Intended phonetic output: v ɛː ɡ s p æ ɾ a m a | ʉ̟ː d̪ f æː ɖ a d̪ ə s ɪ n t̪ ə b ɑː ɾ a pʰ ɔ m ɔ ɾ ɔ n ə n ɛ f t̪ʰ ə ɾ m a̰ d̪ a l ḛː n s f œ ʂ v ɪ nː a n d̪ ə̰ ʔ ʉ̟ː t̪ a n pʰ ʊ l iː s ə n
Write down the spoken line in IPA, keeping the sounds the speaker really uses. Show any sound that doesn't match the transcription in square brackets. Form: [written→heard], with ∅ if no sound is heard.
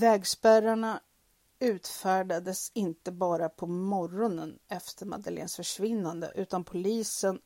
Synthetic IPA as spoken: v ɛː ɡ s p æ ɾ a [m→ɳ] a | ʉ̟ː [d̪→t̪] f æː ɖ a d̪ ə s ɪ n t̪ ə b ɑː ɾ a pʰ ɔ m ɔ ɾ ɔ n ə n ɛ f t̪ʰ ə ɾ m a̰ d̪ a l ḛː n s f œ ʂ v ɪ nː a n d̪ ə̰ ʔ ʉ̟ː t̪ a n pʰ ʊ l iː s ə n